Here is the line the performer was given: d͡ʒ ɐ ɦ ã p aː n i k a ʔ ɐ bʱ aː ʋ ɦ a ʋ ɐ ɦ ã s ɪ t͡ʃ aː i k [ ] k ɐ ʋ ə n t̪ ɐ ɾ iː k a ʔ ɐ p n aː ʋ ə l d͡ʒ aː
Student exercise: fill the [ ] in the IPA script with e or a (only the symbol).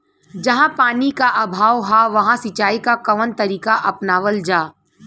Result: a